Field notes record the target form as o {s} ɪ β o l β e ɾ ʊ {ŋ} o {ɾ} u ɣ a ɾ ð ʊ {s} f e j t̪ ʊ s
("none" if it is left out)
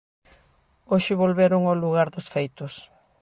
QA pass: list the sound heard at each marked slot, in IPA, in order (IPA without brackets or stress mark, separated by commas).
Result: ʃ, ŋ, l, s